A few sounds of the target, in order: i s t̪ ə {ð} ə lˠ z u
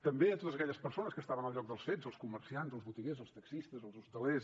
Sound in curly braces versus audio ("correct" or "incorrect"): incorrect